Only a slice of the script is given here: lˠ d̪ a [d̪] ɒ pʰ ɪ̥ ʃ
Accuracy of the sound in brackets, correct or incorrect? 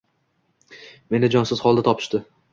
incorrect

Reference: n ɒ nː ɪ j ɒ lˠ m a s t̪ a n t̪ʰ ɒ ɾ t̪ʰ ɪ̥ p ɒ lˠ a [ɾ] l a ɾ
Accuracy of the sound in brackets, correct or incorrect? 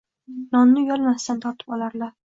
correct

